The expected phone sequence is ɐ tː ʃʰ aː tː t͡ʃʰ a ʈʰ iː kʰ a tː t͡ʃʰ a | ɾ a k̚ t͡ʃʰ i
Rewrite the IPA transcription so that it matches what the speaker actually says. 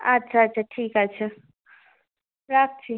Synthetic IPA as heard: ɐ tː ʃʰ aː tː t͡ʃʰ a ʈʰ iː k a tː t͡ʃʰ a | ɾ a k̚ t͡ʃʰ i